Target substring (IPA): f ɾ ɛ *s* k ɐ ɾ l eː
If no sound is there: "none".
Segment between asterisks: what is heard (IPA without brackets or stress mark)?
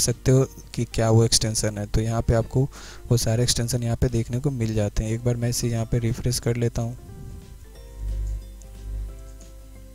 s